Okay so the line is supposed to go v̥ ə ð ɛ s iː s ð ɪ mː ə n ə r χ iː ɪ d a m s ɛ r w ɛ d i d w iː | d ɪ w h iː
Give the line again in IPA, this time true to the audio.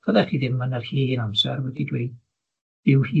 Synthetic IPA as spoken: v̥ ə ð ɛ χ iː ð ɪ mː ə n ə r h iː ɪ n a m s ɛ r w ɛ d i d w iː | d ɪ w h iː